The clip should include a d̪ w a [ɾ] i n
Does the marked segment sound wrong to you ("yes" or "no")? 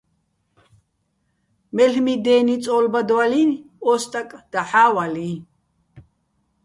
yes